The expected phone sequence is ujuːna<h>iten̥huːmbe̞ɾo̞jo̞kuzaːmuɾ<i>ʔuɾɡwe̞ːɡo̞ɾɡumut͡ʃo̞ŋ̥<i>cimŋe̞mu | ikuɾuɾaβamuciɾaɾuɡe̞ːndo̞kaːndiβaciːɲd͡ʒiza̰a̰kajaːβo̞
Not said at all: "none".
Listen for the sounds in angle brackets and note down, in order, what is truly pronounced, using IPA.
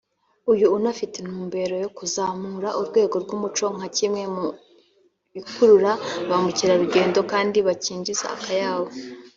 f, a, a

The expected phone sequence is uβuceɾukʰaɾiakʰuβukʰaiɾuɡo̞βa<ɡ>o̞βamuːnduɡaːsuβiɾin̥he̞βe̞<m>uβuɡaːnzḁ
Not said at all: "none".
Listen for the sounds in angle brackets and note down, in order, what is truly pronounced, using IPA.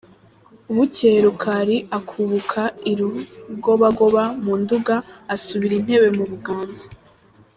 ɡ, m

